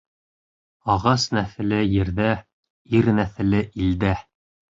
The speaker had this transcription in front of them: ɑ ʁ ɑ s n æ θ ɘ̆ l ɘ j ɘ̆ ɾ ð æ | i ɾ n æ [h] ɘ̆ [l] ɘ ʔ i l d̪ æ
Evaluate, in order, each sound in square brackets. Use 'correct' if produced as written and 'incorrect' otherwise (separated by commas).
incorrect, correct